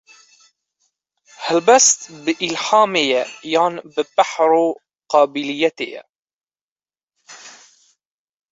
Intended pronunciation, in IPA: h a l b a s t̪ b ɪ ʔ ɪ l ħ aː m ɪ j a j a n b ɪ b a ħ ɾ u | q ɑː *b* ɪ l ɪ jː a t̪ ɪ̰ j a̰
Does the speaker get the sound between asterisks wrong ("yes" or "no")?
no